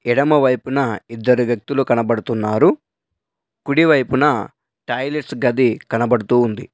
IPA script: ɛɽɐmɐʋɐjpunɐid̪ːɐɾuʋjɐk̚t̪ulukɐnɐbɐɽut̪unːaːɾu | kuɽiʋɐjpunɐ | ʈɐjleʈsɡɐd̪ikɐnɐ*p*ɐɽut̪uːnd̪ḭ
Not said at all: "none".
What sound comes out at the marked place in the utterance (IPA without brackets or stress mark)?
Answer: b